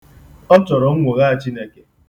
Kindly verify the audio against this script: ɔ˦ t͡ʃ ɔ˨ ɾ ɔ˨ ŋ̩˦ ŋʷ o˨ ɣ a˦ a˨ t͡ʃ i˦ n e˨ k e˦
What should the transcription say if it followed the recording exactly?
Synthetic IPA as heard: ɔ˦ t͡ʃ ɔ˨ ɾ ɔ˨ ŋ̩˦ ŋʷ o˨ ɣ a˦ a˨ t͡ʃ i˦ n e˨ k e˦